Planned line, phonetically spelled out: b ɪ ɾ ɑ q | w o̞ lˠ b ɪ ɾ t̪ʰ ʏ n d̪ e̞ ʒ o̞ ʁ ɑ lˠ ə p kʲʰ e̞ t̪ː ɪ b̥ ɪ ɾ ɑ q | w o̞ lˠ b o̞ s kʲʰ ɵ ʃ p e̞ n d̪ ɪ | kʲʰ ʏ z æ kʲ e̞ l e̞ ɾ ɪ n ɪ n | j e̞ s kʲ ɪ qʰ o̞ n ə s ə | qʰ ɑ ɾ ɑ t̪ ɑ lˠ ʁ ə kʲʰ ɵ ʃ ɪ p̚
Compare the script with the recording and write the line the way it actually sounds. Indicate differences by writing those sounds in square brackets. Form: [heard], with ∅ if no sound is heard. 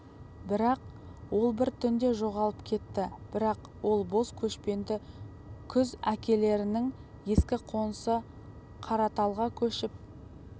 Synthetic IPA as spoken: b ɪ ɾ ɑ q | w o̞ lˠ b ɪ ɾ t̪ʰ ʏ n d̪ e̞ ʒ o̞ ʁ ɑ lˠ ə p kʲʰ e̞ t̪ː ɪ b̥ ɪ ɾ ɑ q | w o̞ lˠ b o̞ s kʲʰ ɵ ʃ p e̞ n d̪ ɪ | kʲʰ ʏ z æ kʲ e̞ l e̞ ɾ ɪ n ɪ [ŋ] | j e̞ s kʲ ɪ qʰ o̞ n ə s ə | qʰ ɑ ɾ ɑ t̪ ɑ lˠ ʁ [ɑ] kʲʰ ɵ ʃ ɪ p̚